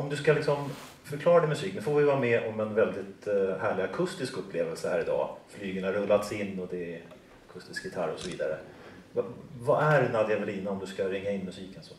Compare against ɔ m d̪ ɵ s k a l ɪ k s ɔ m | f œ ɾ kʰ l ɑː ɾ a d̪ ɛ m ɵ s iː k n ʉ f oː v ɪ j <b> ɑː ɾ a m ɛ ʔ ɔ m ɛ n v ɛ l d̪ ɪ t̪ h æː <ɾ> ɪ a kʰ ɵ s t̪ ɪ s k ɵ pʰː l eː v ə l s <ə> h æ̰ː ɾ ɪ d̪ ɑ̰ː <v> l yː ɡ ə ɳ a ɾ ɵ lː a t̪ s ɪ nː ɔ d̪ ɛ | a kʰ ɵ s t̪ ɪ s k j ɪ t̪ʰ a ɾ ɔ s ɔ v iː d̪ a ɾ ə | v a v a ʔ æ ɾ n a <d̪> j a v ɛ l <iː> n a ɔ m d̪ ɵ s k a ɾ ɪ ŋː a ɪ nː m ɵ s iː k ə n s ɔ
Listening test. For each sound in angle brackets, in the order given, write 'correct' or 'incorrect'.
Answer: incorrect, incorrect, correct, incorrect, correct, correct

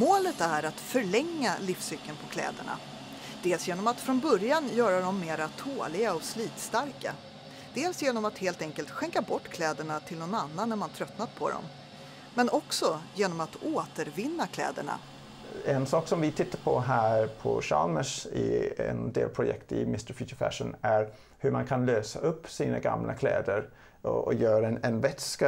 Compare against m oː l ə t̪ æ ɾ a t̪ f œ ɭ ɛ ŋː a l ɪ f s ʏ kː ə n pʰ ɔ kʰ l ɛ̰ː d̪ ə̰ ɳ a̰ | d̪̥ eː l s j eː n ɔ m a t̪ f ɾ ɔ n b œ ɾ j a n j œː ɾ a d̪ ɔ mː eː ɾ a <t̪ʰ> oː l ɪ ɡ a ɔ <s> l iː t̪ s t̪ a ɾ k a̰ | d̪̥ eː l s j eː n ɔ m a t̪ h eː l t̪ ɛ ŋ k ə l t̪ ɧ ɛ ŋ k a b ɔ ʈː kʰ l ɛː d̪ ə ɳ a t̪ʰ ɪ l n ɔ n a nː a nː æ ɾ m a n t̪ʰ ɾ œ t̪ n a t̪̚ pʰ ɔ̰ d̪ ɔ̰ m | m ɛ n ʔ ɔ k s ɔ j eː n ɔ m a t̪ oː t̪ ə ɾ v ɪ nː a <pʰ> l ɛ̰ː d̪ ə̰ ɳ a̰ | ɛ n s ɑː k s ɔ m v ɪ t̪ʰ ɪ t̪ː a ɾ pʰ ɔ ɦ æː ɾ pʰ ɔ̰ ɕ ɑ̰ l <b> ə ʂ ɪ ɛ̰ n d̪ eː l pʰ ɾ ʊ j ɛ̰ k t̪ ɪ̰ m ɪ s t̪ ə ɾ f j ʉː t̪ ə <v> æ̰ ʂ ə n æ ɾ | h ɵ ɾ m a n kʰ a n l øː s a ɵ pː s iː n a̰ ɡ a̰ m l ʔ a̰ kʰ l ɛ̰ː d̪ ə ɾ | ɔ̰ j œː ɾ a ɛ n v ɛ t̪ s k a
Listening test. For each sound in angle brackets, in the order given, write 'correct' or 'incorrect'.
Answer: correct, correct, incorrect, incorrect, incorrect

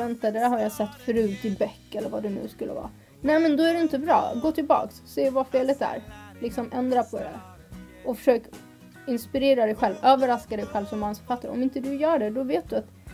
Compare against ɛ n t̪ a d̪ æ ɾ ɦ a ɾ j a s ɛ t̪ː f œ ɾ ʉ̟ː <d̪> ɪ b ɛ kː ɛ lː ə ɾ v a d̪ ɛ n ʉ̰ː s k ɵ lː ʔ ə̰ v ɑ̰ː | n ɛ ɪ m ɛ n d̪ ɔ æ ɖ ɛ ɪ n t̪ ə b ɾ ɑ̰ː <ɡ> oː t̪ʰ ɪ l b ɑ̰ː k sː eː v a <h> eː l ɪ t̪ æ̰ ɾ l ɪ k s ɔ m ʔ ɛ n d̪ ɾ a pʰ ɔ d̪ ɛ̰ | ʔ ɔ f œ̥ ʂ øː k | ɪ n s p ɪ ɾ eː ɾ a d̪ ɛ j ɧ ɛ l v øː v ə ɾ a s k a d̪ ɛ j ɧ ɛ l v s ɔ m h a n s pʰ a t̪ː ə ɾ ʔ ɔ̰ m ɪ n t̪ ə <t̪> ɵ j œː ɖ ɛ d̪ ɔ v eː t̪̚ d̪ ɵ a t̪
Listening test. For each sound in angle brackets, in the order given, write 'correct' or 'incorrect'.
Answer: incorrect, correct, incorrect, incorrect

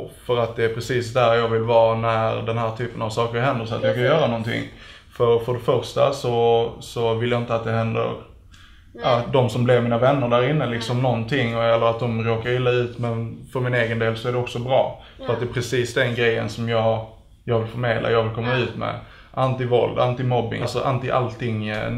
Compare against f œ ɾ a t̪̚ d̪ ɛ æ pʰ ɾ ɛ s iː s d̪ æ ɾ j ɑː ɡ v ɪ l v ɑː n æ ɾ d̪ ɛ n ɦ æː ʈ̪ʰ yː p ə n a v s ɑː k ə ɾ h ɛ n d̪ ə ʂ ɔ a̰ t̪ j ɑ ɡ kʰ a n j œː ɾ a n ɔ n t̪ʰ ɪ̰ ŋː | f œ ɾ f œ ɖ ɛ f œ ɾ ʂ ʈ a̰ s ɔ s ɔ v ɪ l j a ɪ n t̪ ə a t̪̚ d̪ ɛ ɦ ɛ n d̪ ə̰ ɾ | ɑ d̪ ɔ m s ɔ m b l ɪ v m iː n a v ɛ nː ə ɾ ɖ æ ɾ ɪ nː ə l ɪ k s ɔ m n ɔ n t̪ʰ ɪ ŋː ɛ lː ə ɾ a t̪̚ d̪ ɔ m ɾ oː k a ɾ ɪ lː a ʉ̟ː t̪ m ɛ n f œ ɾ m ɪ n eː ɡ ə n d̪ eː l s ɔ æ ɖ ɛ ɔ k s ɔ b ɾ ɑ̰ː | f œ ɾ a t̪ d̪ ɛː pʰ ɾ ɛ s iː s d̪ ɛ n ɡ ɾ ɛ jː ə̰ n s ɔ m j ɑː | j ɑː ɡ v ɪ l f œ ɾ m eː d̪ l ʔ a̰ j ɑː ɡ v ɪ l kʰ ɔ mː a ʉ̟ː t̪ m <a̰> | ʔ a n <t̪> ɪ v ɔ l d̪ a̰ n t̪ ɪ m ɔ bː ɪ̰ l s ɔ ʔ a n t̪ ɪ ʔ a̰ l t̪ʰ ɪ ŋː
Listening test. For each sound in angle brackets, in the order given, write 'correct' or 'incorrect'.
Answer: incorrect, correct

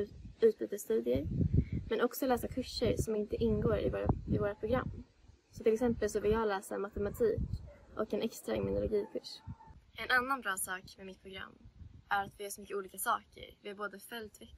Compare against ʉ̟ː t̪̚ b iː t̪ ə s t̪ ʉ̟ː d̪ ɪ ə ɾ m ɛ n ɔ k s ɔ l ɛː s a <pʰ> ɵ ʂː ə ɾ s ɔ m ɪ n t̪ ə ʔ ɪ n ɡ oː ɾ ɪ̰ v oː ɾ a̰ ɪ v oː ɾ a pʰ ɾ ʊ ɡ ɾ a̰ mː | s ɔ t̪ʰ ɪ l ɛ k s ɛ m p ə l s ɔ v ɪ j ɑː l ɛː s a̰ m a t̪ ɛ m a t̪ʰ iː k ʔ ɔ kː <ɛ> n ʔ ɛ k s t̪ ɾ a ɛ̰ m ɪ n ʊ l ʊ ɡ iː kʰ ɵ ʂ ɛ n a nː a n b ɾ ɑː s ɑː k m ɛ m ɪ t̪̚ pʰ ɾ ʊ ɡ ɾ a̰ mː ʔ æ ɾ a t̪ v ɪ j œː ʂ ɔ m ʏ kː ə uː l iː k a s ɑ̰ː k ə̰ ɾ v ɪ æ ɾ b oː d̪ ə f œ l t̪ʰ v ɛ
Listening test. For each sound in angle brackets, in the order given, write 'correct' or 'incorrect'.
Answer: incorrect, correct

